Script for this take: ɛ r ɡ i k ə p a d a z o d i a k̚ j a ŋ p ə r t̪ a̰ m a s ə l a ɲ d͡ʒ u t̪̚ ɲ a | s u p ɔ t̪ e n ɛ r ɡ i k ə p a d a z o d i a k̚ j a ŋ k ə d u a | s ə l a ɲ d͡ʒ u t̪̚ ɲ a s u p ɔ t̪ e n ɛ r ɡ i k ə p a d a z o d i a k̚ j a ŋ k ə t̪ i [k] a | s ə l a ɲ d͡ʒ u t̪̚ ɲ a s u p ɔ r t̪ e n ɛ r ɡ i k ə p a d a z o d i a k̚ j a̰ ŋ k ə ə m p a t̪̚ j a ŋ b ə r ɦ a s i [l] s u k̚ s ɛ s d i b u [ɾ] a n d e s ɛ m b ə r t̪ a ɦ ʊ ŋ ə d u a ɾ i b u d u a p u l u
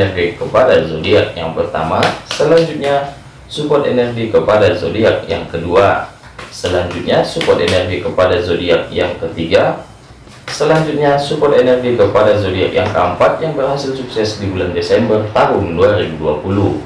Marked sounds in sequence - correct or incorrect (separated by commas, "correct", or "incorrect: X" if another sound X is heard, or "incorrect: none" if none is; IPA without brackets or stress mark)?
incorrect: ɡ, correct, incorrect: l